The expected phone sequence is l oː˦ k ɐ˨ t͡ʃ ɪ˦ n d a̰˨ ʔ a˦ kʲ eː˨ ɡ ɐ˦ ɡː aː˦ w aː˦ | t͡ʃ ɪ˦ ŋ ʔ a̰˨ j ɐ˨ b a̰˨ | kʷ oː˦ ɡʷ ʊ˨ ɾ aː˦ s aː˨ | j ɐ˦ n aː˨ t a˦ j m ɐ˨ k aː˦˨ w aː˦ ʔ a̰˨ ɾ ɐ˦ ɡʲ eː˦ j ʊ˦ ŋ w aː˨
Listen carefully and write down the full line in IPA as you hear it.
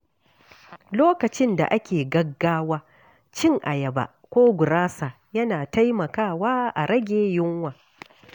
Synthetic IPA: l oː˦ k ɐ˨ t͡ʃ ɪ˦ n d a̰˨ ʔ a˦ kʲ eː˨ ɡ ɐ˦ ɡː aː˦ w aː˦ | t͡ʃ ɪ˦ ŋ ʔ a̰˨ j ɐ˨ b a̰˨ | kʷ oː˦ ɡʷ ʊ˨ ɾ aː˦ s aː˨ | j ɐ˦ n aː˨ t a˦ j m ɐ˨ k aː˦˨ w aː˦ ʔ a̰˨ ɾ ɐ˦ ɡʲ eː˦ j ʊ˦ ŋ w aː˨